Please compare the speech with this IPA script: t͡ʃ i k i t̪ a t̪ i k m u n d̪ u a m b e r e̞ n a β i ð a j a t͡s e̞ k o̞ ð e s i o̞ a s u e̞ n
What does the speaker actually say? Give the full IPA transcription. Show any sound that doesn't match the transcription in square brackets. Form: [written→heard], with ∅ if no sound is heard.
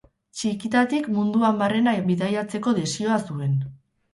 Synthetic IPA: t͡ʃ i k i t̪ a t̪ i k m u n d̪ u a m b [e→a] r e̞ n a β i ð a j a t͡s e̞ k o̞ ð e s i o̞ a s u e̞ n

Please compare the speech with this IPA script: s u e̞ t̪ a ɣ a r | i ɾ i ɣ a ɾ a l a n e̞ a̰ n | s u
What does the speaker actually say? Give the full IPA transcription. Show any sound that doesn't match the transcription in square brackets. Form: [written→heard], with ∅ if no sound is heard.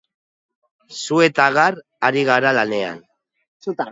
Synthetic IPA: s u e̞ t̪ a ɣ a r | [i→a] ɾ i ɣ a ɾ a l a n e̞ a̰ n | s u

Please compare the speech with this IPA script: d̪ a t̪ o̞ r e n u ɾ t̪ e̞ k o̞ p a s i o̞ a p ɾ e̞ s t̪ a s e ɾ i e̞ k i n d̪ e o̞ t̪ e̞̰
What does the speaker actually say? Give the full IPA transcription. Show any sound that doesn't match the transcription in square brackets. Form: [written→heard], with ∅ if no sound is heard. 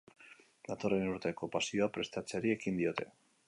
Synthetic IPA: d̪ a t̪ o̞ r e n u ɾ t̪ e̞ k o̞ p a s i o̞ a p ɾ e̞ s t̪ a [s→t͡s] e ɾ i e̞ k i n d̪ [e→i] o̞ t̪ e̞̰

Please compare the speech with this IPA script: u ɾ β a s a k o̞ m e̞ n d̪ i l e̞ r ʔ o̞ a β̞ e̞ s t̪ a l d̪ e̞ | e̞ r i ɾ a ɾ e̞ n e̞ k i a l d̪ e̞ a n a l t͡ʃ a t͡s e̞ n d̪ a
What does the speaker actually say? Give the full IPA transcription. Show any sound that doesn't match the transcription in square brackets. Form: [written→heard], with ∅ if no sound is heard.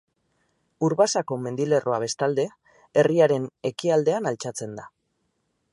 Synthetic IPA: u ɾ β a s a k o̞ m e̞ n d̪ i l e̞ r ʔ o̞ a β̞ e̞ s t̪ a l d̪ e̞ | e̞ r i [ɾ→∅] a ɾ e̞ n e̞ k i a l d̪ e̞ a n a l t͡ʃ a t͡s e̞ n d̪ a

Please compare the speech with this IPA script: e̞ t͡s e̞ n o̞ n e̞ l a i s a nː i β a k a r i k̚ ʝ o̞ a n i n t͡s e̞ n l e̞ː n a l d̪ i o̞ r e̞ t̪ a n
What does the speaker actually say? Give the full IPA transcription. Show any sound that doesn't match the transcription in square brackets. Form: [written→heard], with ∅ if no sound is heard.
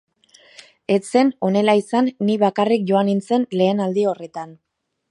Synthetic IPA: e̞ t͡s e̞ n o̞ n e̞ l a i s a nː i β a k a r i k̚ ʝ o̞ a n i n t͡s e̞ n l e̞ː n a l d̪ i o̞ r e̞ t̪ a n

